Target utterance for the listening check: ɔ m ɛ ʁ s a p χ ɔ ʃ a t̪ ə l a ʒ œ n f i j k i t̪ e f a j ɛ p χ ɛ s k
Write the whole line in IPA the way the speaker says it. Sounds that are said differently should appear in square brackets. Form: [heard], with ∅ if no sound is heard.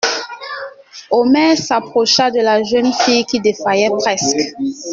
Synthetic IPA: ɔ m ɛ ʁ s a p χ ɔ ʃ a [d̪] ə l a ʒ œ n f i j k i [d̪] e f a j ɛ p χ ɛ s k